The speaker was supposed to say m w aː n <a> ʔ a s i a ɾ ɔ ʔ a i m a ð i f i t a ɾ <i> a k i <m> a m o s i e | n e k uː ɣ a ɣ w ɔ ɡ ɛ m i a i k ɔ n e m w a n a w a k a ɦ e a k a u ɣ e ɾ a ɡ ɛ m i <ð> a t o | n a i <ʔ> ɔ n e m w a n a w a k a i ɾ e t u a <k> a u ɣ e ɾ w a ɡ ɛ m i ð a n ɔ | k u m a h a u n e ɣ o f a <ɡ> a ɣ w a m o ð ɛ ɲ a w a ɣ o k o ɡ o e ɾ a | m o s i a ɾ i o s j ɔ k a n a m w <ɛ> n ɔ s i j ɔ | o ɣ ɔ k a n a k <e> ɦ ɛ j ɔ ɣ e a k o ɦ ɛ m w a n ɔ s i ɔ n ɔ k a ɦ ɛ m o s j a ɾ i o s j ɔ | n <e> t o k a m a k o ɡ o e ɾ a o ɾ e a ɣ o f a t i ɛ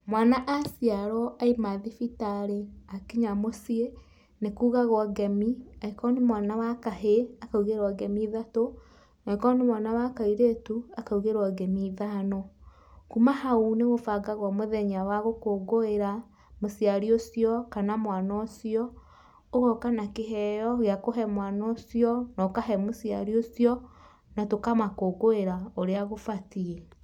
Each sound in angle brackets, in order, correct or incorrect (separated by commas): correct, incorrect, incorrect, correct, incorrect, correct, correct, incorrect, correct, incorrect